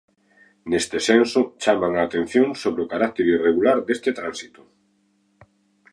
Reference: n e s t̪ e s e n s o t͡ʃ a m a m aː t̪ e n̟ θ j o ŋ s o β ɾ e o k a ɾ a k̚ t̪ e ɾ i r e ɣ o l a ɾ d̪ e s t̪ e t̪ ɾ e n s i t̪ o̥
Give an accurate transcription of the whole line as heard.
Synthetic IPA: n e s t̪ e s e n s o t͡ʃ a m a ŋ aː t̪ e n̟ θ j o ŋ s o β ɾ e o k a ɾ a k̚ t̪ e ɾ i r e ɣ u l a ɾ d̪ e s t̪ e t̪ ɾ a n s i t̪ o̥